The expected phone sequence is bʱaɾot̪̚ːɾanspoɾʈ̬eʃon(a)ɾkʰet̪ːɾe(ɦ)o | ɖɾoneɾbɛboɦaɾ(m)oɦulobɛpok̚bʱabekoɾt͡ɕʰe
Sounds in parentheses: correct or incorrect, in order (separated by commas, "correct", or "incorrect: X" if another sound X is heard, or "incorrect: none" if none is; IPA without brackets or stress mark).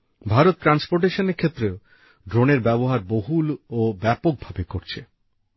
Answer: incorrect: e, incorrect: none, incorrect: b